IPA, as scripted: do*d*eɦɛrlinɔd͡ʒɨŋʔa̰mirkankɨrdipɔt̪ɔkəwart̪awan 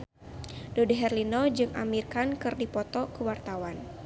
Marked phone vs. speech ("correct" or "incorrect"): correct